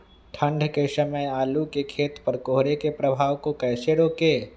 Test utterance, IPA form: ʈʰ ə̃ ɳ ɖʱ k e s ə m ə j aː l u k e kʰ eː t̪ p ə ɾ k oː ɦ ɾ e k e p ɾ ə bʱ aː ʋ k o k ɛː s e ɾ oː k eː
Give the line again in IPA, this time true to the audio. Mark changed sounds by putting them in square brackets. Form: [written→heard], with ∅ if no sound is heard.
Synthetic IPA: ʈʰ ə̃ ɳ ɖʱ k e s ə m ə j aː l u k e kʰ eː t̪ p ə ɾ k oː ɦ ɾ e k e p ɾ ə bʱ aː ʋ k o k ɛː s e ɾ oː k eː